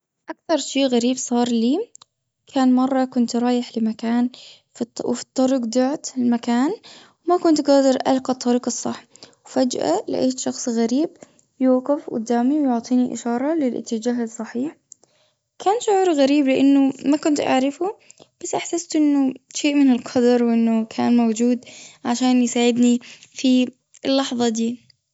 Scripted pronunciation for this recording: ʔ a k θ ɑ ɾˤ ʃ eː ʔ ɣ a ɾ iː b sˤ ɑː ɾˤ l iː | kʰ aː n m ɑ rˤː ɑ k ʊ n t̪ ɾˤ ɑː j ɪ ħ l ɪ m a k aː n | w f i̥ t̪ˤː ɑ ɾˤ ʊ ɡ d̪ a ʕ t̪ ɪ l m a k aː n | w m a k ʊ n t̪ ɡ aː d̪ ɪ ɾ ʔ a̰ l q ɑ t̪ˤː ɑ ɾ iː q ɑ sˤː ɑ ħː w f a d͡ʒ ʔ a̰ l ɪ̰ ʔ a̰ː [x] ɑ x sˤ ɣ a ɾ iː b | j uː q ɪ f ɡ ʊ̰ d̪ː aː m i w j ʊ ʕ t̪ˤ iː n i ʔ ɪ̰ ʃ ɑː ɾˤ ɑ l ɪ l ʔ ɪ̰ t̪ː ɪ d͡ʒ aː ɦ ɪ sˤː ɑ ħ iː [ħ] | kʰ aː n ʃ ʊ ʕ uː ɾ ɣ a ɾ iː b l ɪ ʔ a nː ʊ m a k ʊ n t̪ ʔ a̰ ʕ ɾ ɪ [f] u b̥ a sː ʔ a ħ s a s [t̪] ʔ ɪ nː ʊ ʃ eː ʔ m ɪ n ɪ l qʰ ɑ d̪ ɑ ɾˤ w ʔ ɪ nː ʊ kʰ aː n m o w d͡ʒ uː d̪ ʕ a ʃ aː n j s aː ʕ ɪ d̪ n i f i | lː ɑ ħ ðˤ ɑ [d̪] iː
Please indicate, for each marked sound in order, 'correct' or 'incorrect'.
incorrect: ʃ, correct, correct, correct, correct

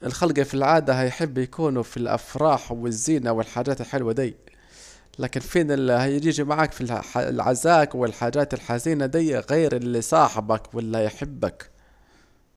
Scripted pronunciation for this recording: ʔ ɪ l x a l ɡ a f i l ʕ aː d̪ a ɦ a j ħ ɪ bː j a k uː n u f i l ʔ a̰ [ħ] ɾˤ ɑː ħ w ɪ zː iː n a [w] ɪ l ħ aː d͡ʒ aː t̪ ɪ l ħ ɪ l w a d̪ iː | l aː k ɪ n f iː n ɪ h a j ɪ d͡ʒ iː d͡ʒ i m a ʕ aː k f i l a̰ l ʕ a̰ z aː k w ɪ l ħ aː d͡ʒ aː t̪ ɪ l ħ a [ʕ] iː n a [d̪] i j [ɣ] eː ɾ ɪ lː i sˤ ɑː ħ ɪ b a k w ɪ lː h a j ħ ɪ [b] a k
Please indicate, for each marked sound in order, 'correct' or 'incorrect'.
incorrect: f, correct, incorrect: z, correct, correct, incorrect: bː

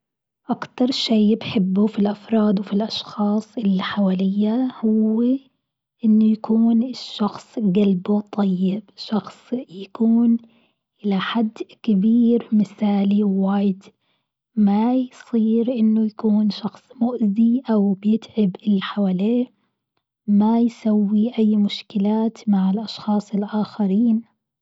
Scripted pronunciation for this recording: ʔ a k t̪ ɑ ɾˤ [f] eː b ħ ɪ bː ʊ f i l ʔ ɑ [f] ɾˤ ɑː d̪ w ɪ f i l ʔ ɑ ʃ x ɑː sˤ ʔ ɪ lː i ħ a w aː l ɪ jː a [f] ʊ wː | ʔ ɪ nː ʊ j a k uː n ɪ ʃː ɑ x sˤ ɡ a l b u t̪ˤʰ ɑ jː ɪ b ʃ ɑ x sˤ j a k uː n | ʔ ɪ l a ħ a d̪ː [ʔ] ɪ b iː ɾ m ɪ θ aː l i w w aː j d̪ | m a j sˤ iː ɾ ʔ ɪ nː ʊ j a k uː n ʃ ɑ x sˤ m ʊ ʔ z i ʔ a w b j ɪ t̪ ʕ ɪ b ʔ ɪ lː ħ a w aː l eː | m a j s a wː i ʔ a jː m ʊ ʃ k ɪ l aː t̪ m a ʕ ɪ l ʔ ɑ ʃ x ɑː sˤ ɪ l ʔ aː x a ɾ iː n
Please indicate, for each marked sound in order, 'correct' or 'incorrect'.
incorrect: ʃ, correct, incorrect: h, incorrect: k

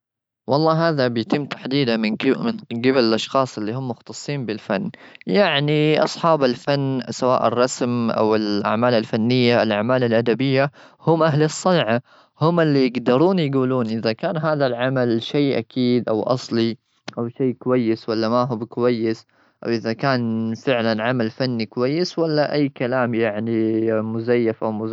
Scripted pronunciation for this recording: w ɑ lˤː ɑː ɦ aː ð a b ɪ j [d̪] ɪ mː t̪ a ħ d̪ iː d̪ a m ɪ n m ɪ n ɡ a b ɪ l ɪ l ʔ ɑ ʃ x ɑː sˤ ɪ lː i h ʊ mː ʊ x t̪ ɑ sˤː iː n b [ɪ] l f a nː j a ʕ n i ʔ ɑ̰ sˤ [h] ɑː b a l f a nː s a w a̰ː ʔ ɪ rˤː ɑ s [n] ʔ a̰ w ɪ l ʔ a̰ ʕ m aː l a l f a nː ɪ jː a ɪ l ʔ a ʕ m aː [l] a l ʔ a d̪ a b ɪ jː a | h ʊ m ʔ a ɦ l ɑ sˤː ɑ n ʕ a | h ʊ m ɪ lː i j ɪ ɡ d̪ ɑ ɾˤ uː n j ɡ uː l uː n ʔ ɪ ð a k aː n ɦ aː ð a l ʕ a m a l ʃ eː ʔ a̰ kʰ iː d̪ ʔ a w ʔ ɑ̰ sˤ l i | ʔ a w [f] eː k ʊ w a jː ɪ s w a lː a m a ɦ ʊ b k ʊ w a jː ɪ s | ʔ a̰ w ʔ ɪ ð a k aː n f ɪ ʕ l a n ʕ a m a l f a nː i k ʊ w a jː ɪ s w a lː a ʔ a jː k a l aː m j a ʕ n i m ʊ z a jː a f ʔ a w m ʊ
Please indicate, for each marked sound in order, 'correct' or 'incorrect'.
incorrect: t̪, correct, incorrect: ħ, incorrect: m, correct, incorrect: ʃ

